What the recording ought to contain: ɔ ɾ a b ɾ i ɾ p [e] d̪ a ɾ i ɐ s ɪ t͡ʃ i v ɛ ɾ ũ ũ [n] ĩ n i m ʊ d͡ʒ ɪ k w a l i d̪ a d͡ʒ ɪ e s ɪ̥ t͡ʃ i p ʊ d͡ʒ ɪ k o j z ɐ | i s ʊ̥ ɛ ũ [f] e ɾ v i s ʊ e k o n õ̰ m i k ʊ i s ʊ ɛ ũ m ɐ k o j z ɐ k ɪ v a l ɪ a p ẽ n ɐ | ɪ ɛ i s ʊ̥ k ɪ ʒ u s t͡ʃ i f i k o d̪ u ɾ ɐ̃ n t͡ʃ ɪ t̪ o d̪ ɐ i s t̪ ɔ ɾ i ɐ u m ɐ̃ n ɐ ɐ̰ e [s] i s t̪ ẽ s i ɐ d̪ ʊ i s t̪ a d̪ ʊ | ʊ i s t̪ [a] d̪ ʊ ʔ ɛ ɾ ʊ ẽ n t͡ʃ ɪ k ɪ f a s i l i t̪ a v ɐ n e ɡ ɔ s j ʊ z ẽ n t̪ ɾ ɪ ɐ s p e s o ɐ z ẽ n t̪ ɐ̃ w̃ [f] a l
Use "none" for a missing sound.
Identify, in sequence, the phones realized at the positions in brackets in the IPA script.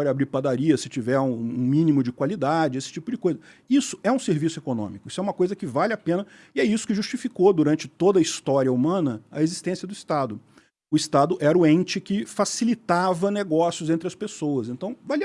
a, m, s, z, a, v

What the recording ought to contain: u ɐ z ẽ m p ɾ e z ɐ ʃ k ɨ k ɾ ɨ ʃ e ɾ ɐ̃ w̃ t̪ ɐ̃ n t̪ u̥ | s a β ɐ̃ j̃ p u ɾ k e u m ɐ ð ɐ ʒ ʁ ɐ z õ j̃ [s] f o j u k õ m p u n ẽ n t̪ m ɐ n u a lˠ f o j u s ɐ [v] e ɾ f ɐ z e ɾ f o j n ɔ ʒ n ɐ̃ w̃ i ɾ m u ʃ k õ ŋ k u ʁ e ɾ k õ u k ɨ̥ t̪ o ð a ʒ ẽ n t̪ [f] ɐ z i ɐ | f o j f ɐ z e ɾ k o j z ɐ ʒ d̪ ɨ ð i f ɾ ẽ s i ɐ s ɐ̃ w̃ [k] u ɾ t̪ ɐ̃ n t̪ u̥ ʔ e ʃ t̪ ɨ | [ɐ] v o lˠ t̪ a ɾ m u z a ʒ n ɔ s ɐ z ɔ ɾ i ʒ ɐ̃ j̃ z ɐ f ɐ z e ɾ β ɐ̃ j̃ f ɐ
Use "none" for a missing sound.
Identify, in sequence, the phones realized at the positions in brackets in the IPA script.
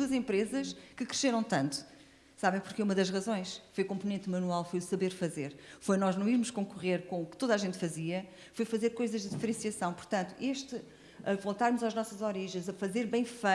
ʃ, β, f, p, ɐ

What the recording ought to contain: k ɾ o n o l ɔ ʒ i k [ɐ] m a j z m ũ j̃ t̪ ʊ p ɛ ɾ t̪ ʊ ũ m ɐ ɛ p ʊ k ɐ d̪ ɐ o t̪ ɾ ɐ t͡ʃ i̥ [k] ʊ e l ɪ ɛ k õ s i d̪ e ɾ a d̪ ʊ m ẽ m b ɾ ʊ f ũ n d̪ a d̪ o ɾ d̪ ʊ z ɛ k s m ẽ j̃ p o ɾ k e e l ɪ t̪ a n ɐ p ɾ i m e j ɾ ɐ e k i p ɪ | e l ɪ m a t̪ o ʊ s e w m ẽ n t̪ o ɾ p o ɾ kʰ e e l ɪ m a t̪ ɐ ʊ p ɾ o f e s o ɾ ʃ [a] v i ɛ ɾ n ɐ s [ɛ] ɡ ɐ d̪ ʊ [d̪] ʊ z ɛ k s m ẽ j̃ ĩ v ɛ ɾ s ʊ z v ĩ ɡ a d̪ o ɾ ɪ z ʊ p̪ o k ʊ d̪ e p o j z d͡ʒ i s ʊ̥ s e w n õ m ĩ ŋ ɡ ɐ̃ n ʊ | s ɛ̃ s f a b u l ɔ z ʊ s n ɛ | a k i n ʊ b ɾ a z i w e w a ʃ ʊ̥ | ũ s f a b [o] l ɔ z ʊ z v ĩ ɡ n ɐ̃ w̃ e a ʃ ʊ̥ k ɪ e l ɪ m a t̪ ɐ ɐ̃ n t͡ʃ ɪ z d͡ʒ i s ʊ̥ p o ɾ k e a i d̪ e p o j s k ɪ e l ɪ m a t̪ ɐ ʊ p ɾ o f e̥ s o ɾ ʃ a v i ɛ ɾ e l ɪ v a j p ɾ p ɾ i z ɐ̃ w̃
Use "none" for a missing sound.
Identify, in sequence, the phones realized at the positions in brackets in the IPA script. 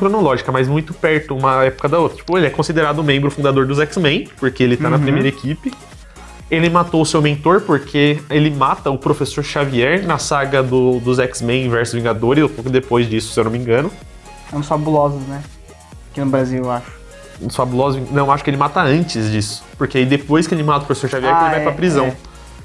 ɐ, p, a, a, d̪, u

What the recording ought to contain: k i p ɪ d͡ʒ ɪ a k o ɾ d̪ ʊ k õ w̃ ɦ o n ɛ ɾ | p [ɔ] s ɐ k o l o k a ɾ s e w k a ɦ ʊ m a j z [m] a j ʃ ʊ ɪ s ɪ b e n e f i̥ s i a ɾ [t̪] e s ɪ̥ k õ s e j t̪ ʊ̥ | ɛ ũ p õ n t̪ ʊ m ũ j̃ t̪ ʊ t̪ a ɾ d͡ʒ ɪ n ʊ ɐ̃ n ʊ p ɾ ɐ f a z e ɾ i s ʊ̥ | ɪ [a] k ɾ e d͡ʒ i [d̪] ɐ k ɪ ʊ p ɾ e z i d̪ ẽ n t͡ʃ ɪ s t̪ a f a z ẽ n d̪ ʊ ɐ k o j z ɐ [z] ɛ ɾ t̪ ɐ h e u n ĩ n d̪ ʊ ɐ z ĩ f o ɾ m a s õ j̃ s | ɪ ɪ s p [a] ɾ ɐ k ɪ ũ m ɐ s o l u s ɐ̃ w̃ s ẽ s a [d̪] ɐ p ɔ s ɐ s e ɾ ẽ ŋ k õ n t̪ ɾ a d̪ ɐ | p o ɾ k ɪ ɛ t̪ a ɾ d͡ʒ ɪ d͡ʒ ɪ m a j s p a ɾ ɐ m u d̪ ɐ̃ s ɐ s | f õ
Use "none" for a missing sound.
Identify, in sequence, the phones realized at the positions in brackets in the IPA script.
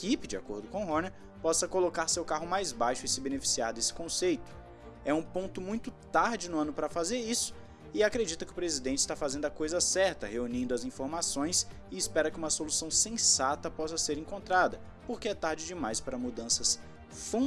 ɔ, b, d̪, a, t̪, s, ɛ, t̪

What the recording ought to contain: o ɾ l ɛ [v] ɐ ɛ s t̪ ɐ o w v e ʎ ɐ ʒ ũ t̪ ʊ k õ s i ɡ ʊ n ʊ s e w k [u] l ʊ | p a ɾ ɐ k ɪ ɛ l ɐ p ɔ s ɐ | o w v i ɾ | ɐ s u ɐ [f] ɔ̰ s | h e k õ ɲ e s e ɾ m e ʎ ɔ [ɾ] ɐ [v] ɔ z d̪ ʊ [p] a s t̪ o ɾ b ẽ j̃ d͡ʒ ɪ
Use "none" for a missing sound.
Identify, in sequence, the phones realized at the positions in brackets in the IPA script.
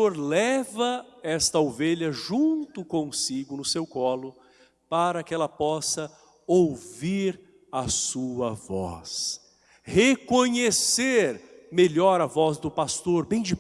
v, ɔ, v, ɾ, v, p

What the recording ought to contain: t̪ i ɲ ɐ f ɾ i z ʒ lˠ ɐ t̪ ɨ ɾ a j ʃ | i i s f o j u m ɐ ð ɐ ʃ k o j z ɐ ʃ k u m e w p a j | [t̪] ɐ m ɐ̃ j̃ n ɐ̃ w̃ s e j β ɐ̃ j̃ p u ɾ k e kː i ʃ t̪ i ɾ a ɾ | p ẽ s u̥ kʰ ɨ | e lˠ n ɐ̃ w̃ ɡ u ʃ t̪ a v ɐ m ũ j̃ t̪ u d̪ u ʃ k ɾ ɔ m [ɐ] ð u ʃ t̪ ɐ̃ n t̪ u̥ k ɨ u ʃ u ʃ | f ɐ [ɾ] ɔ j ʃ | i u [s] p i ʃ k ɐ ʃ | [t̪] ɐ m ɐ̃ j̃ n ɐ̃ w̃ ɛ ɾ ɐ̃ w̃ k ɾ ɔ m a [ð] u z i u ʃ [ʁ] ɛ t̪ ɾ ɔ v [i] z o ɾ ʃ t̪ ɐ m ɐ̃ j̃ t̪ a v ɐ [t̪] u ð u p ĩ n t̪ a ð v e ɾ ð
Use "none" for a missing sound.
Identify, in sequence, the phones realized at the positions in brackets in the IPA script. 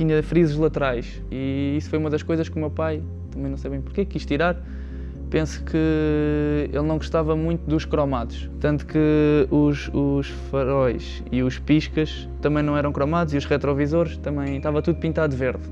t̪, a, ɾ, ʃ, t̪, ð, ʁ, i, t̪

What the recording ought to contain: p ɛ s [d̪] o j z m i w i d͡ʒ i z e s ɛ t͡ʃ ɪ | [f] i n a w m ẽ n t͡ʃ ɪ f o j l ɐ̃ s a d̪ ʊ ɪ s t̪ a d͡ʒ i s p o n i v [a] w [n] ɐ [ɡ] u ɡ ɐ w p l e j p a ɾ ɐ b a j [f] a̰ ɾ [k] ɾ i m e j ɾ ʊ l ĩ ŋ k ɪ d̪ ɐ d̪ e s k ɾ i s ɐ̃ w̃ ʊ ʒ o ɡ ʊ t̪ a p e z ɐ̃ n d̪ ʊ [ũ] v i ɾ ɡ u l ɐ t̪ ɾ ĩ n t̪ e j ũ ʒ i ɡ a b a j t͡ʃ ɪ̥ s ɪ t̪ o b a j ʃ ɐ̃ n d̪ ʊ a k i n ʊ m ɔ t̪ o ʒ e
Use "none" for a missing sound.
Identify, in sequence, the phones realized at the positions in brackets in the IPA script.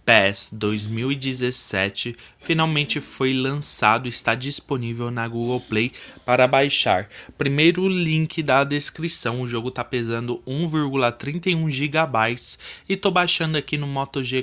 d̪, f, e, n, ɡ, ʃ, p, ũ

